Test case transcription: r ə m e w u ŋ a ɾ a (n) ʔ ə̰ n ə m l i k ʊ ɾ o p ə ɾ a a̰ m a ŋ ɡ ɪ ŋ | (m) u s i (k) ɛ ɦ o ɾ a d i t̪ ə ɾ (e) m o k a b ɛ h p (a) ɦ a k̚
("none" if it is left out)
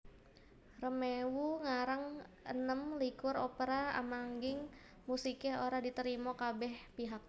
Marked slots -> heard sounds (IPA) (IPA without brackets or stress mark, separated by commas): ŋ, m, k, i, i